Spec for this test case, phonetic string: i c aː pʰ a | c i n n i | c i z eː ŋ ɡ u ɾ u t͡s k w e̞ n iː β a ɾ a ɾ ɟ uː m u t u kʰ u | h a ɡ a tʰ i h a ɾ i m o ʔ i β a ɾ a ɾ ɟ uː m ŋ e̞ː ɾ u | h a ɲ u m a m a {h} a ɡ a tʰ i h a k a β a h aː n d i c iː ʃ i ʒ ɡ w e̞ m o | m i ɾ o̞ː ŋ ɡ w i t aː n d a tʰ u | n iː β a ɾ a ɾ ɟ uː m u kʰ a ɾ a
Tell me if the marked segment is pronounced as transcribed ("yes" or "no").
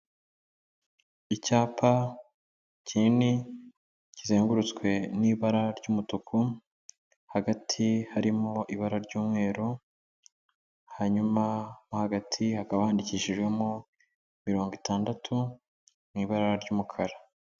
yes